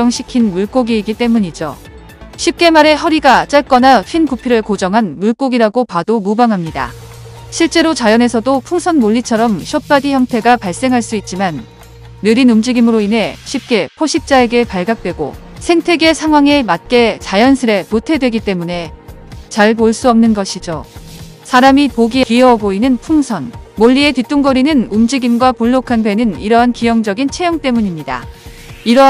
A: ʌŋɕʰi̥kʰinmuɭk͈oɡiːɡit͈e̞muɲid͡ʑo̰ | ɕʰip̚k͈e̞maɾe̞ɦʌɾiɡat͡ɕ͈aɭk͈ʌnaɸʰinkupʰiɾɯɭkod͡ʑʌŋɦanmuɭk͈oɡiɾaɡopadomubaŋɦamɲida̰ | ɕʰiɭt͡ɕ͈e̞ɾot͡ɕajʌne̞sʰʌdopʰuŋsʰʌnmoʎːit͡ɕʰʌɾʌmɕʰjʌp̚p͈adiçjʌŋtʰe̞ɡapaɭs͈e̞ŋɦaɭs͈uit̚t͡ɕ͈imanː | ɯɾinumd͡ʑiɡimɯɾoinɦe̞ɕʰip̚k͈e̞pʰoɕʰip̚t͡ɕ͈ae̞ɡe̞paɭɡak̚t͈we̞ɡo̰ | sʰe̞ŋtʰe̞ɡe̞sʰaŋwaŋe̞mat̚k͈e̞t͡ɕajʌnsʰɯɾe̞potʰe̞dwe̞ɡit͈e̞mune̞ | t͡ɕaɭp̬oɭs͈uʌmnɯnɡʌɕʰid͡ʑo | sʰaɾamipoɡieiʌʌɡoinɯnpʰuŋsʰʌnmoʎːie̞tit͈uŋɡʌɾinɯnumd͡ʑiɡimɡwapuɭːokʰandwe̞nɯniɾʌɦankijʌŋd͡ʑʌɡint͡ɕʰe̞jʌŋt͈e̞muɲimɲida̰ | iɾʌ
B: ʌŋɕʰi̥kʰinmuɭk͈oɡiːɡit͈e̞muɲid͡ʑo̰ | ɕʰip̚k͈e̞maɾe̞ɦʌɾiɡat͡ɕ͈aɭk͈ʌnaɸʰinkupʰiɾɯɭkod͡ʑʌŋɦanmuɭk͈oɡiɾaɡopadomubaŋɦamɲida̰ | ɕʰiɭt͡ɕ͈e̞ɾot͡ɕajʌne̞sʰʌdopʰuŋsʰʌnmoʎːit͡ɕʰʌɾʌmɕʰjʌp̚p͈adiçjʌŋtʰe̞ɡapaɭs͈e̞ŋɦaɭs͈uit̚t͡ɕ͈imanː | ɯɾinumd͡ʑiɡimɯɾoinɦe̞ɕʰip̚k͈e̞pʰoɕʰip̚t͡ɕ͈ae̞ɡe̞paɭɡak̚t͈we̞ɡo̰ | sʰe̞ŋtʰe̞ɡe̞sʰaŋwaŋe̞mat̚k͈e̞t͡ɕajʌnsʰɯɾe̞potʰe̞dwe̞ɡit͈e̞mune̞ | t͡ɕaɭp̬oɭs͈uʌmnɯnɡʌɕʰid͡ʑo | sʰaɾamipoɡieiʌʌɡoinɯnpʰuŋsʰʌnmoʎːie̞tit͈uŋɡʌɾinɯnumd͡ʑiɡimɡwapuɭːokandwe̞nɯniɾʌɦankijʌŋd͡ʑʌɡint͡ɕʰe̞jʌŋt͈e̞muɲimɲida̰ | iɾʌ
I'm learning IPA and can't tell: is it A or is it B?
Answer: A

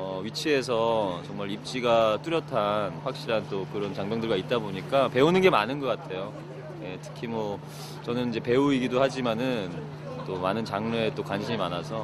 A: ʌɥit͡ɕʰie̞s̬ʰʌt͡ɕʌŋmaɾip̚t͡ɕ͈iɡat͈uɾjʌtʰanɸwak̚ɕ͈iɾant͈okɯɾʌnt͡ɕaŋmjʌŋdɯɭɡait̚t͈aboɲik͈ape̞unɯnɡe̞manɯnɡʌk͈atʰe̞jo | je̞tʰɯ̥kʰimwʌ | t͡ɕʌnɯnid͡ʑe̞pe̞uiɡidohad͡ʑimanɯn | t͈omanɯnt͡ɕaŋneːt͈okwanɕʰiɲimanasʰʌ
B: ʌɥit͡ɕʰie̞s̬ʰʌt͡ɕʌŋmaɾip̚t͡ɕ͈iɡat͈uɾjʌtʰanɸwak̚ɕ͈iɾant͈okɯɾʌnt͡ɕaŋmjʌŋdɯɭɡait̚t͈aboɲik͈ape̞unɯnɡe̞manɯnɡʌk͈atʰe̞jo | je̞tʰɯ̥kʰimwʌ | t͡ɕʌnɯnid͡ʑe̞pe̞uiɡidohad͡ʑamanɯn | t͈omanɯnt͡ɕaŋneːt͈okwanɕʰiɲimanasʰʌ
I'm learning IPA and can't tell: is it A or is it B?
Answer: A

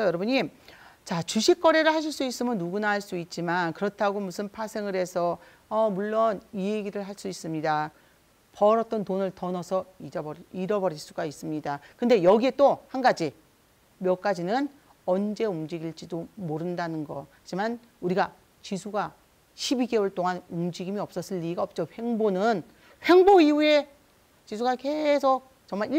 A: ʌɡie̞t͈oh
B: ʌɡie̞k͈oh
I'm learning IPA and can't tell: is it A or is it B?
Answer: A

